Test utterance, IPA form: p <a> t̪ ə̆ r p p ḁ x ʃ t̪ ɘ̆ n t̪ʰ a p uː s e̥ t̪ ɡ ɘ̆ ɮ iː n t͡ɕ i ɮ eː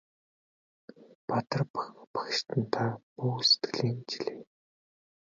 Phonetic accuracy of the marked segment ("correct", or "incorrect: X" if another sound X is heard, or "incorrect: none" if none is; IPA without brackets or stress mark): correct